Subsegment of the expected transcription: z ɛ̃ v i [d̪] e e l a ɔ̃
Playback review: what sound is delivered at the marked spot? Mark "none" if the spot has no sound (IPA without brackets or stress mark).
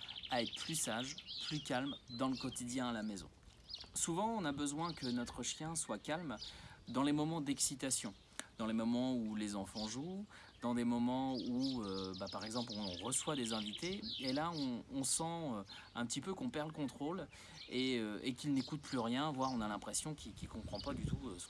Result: t̪